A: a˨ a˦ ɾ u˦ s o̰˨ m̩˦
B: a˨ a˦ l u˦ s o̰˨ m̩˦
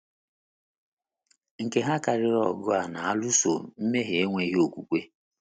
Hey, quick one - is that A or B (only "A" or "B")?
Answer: B